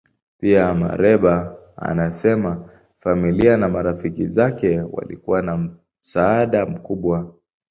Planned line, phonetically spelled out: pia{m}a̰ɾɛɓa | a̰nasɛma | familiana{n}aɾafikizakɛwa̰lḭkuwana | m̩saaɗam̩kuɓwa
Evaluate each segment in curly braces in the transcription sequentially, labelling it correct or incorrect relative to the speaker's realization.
correct, incorrect

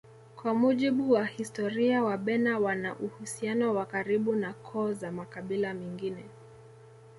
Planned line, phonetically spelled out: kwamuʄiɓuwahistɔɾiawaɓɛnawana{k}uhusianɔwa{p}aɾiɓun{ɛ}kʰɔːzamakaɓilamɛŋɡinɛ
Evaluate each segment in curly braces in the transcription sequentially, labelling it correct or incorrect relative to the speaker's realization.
incorrect, incorrect, incorrect

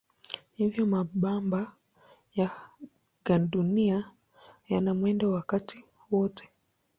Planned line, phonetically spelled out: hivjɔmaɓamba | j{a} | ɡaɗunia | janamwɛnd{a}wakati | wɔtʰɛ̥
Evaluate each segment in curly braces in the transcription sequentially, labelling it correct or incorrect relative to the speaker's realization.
correct, correct

